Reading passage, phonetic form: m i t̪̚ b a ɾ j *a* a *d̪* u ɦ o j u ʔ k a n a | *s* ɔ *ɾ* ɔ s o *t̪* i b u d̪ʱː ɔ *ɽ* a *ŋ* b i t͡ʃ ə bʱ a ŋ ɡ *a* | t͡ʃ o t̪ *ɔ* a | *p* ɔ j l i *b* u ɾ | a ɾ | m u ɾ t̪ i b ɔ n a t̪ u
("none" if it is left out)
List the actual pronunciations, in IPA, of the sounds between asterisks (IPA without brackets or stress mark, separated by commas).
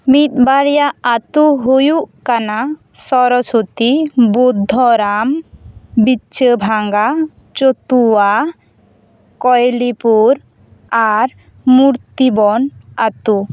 a, t̪, s, ɾ, t̪, ɾ, m, a, u, k, p